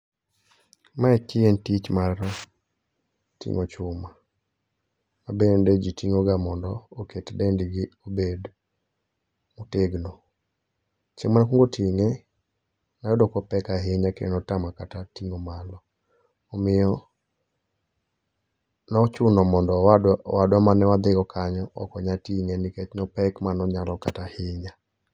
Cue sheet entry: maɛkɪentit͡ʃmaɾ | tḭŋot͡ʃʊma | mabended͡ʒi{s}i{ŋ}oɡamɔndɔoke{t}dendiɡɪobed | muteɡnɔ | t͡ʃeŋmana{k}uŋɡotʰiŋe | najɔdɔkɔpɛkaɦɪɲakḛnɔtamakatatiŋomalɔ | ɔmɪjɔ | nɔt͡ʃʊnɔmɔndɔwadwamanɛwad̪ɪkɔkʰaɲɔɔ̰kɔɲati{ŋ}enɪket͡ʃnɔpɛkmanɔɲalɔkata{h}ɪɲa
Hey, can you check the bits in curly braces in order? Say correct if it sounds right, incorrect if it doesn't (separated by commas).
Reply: incorrect, correct, correct, correct, correct, correct